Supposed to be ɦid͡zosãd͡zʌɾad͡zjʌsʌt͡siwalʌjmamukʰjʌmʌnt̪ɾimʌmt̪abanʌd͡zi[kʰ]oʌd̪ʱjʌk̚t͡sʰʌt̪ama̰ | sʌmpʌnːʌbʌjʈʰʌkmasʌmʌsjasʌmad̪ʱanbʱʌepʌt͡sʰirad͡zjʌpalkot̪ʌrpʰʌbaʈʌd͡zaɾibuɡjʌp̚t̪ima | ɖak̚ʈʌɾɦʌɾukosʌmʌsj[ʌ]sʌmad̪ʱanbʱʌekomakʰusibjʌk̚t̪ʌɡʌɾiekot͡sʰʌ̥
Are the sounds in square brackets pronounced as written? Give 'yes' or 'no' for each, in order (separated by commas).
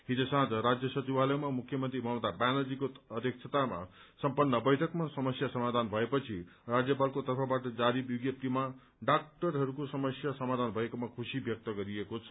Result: no, no